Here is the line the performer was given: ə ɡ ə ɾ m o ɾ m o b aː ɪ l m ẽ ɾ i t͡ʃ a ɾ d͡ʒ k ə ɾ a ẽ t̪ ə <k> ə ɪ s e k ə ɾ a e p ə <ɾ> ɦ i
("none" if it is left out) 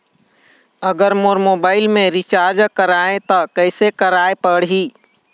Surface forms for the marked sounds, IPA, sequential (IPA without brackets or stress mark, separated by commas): k, ɽ